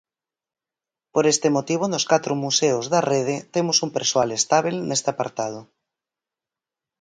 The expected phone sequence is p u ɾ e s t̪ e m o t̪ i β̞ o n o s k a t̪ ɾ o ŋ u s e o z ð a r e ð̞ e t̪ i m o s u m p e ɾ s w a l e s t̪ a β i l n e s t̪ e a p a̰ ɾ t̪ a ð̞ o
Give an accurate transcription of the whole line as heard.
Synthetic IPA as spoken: p o ɾ e s t̪ e m o t̪ i β̞ o n o s k a t̪ ɾ o m u s e o z ð a r e ð̞ e t̪ e m o s u m p e ɾ s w a l e s t̪ a β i l n e s t̪ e a p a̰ ɾ t̪ a ð̞ o